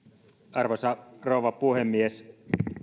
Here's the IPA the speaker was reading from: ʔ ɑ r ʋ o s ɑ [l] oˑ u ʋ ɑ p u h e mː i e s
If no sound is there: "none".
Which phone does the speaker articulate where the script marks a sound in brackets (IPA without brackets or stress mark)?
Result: r